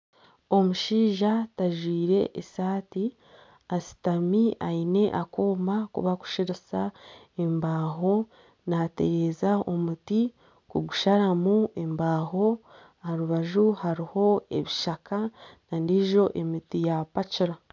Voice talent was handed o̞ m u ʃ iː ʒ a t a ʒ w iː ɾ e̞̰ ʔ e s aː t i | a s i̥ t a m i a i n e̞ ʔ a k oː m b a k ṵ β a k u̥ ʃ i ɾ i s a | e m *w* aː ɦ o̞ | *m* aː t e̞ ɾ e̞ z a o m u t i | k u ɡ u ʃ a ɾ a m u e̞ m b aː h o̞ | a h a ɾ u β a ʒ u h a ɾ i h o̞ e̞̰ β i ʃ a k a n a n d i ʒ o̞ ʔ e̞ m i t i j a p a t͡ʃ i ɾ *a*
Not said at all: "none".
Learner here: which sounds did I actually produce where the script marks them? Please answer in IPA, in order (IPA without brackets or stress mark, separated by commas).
b, n, a